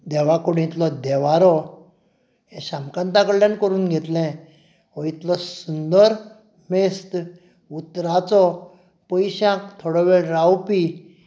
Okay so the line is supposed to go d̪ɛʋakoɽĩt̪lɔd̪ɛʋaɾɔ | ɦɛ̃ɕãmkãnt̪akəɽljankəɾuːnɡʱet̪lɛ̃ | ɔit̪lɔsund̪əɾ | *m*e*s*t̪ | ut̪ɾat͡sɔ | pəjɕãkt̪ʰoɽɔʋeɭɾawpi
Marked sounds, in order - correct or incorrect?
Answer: correct, correct

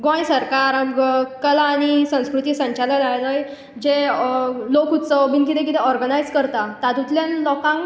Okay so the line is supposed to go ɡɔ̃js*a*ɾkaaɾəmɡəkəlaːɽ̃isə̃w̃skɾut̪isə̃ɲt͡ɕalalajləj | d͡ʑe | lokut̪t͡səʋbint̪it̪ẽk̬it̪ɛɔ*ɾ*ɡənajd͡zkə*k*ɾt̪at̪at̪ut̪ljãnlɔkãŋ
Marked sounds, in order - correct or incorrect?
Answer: incorrect: ə, correct, incorrect: none

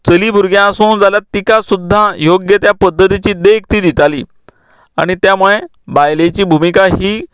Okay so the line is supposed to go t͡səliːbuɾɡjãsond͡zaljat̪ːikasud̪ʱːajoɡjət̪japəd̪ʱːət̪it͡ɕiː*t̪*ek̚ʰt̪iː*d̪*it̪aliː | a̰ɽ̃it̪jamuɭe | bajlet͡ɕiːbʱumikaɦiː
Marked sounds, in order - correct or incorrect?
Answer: incorrect: d̪, correct

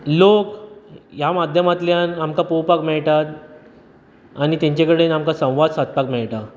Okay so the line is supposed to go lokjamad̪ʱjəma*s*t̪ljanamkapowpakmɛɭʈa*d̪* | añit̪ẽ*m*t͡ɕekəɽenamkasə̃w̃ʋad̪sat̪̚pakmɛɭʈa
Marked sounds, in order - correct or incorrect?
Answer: incorrect: none, incorrect: t̪, incorrect: ɲ

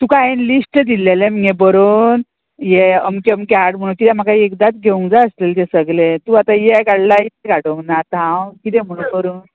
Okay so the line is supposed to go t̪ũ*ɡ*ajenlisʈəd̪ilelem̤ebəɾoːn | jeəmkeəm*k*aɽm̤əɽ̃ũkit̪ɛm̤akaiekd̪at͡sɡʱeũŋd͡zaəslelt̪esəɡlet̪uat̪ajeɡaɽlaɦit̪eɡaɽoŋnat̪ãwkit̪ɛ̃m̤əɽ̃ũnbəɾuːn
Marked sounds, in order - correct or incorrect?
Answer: incorrect: k, correct

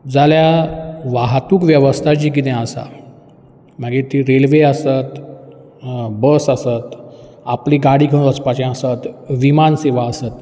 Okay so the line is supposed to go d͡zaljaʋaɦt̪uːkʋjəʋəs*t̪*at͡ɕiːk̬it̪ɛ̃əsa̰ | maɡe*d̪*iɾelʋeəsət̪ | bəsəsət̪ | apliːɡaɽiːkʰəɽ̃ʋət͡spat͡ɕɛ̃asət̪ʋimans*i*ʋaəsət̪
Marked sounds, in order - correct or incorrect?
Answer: incorrect: t̪ʰ, incorrect: t̪, incorrect: e

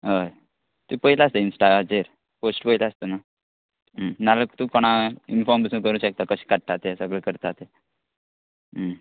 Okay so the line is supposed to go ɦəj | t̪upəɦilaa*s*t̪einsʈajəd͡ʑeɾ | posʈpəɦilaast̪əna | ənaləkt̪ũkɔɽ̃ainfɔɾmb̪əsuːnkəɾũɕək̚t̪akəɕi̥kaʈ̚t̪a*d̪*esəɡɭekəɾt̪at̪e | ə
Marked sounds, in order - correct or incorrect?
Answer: correct, incorrect: t̪

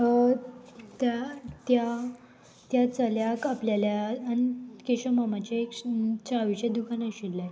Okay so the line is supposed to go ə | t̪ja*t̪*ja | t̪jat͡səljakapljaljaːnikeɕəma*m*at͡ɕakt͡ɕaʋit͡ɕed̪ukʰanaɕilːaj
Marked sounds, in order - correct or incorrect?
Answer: correct, correct

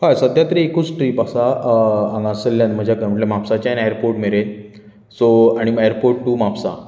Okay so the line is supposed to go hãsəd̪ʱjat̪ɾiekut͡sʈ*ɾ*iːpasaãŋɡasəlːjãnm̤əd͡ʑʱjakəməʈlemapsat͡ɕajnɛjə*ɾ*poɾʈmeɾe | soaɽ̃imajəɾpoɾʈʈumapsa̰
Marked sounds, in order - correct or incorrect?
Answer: correct, correct

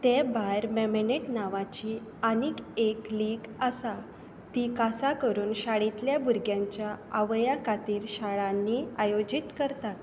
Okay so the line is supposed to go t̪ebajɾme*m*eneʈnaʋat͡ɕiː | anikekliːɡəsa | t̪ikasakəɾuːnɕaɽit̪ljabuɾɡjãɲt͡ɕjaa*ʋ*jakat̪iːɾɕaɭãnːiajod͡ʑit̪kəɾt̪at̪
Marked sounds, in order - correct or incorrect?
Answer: correct, correct

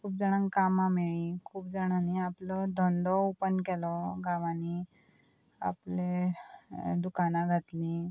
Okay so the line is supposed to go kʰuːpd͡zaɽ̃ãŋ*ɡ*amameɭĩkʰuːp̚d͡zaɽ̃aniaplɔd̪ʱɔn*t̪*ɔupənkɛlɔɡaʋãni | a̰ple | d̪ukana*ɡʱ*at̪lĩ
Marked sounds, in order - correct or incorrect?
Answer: incorrect: k, incorrect: d̪, correct

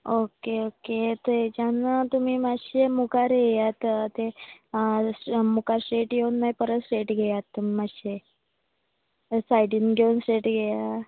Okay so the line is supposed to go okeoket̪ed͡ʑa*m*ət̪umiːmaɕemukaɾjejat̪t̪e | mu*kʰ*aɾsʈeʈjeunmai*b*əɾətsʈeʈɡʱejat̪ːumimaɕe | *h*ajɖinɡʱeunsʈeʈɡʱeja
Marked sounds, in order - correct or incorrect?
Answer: incorrect: n, incorrect: k, incorrect: p, incorrect: s

